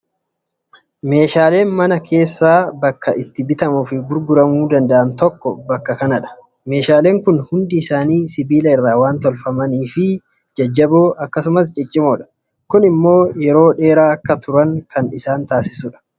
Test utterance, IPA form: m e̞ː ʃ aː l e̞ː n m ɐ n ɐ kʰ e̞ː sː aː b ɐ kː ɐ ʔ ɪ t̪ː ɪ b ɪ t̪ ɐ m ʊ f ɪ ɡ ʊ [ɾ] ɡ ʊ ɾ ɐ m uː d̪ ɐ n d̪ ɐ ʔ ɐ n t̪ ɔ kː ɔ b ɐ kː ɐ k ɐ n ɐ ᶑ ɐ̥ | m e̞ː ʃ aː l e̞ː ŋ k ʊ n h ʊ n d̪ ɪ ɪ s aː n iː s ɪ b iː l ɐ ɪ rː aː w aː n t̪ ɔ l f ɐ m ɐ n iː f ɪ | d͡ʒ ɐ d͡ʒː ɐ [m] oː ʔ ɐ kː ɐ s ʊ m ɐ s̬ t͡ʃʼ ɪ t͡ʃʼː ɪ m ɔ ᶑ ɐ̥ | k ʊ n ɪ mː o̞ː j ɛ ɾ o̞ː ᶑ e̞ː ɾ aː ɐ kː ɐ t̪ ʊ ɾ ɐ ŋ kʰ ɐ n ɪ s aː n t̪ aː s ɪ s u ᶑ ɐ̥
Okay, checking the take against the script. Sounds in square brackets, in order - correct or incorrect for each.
correct, incorrect: b

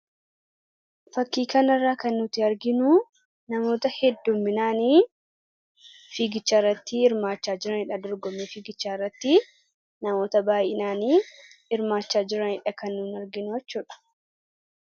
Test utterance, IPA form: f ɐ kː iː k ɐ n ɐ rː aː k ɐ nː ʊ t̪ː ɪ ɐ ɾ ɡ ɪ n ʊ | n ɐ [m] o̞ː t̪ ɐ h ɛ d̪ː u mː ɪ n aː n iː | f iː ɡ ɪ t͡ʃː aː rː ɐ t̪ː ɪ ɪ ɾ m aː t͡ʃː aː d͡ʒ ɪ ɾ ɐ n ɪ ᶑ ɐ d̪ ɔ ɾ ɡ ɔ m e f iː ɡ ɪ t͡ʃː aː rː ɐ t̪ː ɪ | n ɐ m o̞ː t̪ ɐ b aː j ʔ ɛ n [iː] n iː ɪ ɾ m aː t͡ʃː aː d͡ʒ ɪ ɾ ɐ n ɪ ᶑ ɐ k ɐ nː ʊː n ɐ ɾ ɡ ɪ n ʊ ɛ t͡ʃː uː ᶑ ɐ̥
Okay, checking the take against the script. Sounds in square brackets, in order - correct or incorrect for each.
correct, incorrect: aː

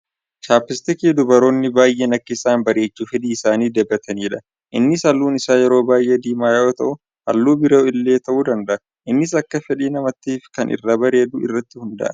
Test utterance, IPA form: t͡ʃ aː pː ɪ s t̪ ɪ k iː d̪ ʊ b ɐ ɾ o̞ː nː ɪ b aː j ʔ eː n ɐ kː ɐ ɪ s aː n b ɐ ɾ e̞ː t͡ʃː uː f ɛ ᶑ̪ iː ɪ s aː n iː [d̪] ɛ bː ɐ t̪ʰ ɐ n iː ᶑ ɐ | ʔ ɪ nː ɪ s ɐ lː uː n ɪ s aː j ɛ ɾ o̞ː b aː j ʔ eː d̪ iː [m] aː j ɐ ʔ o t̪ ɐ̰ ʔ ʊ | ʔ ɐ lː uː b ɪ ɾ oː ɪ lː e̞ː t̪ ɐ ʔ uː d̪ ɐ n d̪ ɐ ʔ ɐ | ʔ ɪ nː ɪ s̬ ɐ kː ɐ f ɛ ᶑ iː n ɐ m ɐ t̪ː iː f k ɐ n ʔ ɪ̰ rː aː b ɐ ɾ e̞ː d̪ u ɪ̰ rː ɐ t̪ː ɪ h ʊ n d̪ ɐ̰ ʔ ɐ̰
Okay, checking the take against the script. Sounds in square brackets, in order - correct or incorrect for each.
correct, correct

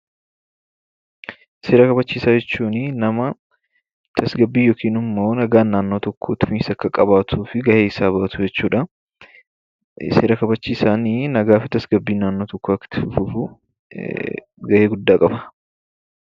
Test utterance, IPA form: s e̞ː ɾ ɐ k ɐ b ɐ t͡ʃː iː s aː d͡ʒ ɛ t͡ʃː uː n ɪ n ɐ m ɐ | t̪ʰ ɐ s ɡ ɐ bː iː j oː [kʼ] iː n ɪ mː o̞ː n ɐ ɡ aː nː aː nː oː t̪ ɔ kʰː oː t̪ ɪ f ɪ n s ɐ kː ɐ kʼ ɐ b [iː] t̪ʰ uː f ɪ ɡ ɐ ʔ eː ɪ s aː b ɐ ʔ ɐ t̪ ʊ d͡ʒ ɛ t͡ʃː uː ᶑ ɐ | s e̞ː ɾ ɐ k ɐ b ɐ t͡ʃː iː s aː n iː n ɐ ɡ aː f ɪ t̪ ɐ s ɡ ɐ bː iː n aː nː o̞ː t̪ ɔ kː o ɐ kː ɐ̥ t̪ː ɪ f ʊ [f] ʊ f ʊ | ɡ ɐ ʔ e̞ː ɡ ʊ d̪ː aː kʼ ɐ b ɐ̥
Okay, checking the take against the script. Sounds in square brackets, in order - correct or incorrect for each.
incorrect: k, incorrect: aː, correct

